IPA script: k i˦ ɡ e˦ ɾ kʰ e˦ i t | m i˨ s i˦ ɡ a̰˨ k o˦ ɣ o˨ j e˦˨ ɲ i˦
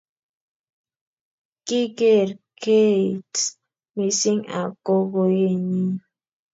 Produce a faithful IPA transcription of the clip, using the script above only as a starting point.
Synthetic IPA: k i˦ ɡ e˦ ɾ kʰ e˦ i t | m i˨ s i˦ ŋ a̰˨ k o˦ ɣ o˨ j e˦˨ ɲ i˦